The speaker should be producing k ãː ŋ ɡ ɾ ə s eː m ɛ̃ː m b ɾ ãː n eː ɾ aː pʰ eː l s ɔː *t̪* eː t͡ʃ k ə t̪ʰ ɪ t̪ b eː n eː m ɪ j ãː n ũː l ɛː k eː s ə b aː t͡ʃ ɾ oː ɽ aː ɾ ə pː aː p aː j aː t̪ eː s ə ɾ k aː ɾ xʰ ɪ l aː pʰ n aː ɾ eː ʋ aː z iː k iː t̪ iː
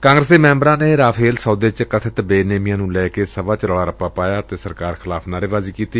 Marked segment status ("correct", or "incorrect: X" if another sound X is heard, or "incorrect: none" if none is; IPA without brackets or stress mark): incorrect: d̪